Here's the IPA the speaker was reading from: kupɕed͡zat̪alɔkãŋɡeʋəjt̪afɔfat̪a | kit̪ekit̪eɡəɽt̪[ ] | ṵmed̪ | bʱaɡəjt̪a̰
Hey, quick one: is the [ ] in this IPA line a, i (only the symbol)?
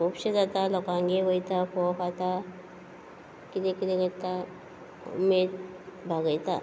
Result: a